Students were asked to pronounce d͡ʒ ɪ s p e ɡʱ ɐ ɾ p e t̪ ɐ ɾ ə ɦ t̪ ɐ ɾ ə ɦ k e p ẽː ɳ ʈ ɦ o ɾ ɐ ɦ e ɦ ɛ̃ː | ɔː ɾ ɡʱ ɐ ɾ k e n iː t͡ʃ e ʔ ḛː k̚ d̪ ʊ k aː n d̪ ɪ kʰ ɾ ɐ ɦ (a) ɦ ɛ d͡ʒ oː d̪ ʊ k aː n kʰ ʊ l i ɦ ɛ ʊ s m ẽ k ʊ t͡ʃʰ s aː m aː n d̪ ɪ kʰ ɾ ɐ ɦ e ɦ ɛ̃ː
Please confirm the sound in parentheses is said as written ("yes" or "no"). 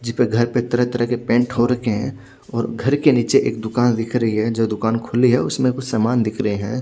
no